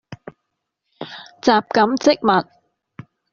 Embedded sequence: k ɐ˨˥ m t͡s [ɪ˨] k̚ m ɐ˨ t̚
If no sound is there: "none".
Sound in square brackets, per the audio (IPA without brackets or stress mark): ɪ˥